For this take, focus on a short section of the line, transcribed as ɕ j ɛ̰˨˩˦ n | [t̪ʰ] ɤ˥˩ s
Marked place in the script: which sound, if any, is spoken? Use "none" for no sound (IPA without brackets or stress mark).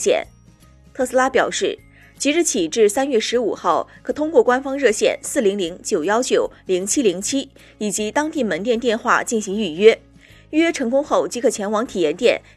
t̪ʰ